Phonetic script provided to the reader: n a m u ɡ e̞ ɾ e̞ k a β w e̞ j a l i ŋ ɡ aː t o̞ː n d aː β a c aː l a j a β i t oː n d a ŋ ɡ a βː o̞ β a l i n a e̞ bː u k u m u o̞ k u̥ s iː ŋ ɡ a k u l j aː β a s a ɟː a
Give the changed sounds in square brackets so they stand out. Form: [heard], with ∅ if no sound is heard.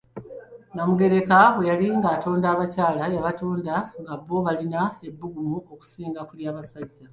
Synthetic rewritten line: n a m u ɡ e̞ ɾ e̞ k a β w e̞ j a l i ŋ ɡ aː t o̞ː n d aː β a c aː l a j a β [a] t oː n d a ŋ ɡ a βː o̞ β a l i n a e̞ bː u [ɡ] u m u o̞ k u̥ s iː ŋ ɡ a k u l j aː β a s a ɟː a